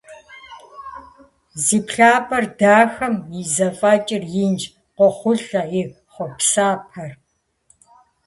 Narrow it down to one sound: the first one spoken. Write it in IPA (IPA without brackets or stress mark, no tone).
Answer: z